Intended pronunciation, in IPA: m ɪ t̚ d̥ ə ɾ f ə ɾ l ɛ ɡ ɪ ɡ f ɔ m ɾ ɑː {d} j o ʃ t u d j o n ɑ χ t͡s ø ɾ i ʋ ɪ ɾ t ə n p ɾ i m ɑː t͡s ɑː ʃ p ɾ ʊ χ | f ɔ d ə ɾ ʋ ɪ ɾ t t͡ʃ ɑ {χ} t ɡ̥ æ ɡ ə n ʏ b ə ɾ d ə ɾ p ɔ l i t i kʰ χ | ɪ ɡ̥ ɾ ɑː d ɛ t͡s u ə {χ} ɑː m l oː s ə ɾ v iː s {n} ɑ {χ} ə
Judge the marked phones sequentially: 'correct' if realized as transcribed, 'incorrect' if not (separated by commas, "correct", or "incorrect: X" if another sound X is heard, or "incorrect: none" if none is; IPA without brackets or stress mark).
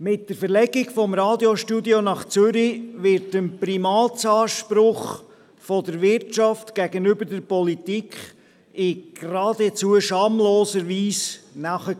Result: correct, incorrect: f, incorrect: ʃ, correct, correct